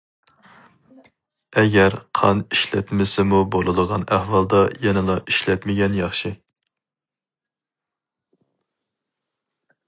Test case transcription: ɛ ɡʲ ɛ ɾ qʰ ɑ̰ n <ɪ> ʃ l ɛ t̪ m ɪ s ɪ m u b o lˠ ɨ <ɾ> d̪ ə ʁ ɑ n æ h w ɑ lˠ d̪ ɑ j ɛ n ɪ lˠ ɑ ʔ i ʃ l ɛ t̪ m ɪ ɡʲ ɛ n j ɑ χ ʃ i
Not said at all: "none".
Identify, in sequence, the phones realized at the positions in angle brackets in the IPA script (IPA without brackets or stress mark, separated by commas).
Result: i, none